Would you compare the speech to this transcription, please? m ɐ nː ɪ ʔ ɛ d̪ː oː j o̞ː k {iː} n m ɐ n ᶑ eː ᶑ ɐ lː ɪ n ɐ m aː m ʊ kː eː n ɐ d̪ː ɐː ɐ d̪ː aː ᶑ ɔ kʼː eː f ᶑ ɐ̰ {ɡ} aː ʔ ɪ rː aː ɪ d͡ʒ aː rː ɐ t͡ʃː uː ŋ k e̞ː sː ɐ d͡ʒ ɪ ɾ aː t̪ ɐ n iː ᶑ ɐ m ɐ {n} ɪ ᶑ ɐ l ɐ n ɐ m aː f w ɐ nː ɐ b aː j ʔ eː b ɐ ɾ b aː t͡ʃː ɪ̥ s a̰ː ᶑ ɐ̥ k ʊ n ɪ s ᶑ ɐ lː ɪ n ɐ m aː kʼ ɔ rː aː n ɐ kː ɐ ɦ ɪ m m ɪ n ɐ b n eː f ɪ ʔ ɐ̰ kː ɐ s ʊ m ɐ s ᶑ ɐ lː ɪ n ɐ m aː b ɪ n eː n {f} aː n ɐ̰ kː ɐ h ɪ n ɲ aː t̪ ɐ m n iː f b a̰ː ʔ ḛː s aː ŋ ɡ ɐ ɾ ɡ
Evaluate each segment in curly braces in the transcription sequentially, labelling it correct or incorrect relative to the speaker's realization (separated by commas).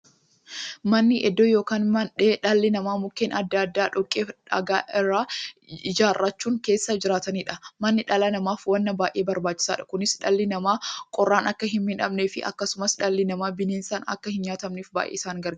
incorrect, correct, incorrect, incorrect